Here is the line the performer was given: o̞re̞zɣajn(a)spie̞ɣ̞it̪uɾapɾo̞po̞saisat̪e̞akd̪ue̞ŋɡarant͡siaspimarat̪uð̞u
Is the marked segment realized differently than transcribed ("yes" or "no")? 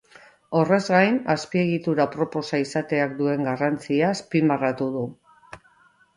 no